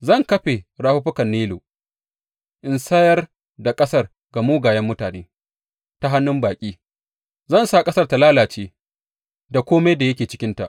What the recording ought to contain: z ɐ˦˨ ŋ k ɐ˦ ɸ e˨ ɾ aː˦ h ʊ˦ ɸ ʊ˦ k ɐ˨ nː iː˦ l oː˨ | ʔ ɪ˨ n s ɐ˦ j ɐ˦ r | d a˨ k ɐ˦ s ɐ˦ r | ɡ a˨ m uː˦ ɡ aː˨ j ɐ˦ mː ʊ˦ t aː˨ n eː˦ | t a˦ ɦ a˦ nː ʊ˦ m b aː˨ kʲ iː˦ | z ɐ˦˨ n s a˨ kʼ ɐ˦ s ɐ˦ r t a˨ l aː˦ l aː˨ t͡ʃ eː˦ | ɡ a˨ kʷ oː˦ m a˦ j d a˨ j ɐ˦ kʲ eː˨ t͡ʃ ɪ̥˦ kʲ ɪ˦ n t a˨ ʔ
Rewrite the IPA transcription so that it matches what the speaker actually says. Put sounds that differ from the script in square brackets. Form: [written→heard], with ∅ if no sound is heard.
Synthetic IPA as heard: z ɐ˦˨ ŋ k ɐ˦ ɸ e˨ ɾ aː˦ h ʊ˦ ɸ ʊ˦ k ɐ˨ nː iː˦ l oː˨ | ʔ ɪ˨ n s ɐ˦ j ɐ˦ r | d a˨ [k→kʼ] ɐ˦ s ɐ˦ r | ɡ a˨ m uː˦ ɡ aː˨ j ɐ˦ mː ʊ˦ t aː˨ n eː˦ | t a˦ ɦ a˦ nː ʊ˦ m b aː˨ [kʲ→kʲʼ] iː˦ | z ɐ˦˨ n s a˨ kʼ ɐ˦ s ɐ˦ r t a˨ l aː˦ l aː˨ t͡ʃ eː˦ | [ɡ→d] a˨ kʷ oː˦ m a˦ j d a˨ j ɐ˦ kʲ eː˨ t͡ʃ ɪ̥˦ kʲ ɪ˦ n t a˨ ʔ